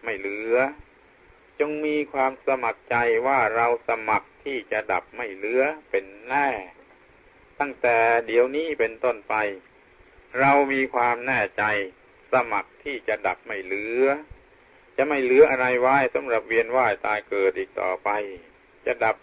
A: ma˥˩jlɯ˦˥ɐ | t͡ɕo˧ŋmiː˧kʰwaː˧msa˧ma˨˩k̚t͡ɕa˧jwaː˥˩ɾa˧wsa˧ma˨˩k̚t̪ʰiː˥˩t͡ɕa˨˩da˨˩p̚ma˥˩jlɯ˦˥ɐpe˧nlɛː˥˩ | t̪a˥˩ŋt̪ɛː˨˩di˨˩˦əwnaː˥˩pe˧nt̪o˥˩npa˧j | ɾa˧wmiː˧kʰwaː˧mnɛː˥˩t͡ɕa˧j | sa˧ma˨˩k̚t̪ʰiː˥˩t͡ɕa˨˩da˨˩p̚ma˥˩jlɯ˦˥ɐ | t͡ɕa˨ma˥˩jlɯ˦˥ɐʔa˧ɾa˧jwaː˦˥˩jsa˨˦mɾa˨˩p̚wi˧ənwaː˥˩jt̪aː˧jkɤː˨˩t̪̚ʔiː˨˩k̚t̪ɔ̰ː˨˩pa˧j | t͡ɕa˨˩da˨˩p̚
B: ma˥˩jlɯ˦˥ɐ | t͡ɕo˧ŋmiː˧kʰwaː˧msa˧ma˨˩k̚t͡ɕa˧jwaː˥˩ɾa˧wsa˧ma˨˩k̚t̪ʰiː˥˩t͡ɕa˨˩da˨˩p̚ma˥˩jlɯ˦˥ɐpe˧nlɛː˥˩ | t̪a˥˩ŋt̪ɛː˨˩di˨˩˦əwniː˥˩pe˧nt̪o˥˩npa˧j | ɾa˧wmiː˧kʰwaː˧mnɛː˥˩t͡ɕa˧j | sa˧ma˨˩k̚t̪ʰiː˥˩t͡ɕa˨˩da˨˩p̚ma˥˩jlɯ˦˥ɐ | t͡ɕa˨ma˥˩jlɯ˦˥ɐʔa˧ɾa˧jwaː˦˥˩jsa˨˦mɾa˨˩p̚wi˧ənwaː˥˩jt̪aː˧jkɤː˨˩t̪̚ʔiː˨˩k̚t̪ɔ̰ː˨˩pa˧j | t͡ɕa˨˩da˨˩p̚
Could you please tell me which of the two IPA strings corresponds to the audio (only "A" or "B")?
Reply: B